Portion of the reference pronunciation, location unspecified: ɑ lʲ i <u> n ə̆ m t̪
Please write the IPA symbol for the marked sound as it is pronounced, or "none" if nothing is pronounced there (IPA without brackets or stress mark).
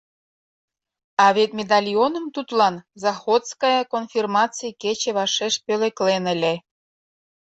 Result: o